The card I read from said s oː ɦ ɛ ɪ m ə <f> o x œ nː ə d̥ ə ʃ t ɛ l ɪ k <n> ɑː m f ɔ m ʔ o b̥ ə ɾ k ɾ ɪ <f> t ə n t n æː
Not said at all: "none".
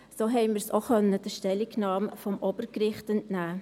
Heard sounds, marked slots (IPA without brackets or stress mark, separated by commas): s, n, χ